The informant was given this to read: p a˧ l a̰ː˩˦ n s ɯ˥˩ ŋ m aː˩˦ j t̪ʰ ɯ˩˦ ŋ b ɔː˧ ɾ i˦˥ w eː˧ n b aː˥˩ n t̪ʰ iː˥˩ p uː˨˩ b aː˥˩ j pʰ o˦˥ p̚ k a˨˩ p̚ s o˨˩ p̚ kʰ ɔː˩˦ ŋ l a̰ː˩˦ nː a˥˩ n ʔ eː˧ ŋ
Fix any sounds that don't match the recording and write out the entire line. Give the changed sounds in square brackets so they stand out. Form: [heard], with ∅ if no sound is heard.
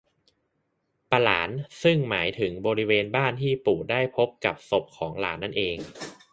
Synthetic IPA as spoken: p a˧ l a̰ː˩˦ n s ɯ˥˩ ŋ m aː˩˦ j t̪ʰ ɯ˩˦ ŋ b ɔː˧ ɾ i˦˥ w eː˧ n b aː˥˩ n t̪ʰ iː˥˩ p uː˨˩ [d] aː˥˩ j pʰ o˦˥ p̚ k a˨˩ p̚ s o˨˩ p̚ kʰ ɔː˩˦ ŋ l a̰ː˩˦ nː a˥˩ n ʔ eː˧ ŋ